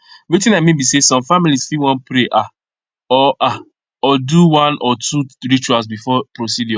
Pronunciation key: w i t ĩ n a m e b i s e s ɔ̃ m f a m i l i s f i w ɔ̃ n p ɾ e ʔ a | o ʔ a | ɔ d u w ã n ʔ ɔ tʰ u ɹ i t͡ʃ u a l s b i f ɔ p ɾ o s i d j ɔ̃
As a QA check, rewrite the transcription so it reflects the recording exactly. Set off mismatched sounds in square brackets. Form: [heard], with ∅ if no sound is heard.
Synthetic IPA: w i t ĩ n a m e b i s e s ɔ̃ m f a m i l i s f i w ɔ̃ n p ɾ e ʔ a | [ɔ] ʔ a | ɔ d u w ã n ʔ ɔ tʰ u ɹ i t͡ʃ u a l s b i f ɔ p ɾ o s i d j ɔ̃